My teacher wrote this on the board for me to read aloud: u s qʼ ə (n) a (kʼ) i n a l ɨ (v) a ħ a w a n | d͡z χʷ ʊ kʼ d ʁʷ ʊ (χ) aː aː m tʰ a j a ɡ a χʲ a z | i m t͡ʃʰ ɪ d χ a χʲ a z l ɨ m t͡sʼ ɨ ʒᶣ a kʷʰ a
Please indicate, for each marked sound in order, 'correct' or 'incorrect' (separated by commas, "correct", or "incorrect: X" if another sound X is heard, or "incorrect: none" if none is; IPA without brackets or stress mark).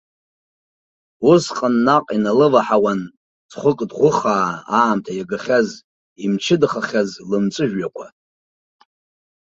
incorrect: nː, incorrect: qʼ, correct, correct